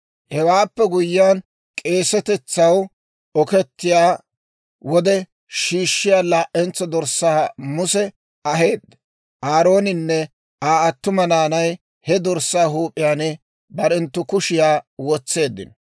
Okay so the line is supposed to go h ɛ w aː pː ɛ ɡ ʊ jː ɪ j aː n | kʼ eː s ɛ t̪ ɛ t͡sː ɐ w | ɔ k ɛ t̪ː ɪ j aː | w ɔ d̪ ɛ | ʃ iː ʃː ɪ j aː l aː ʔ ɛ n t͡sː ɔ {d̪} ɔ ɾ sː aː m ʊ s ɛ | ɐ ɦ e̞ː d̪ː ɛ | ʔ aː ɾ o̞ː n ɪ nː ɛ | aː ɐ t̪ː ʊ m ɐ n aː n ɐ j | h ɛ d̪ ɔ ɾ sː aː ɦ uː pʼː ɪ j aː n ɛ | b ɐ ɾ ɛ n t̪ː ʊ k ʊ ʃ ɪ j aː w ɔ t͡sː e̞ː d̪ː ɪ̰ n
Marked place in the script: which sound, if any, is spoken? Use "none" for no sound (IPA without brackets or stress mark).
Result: d̪